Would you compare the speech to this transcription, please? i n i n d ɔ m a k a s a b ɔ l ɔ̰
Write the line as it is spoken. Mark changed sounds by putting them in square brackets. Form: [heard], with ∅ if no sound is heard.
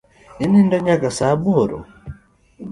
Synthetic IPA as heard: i n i n d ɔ [ɲ] a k a s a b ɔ [ɾ] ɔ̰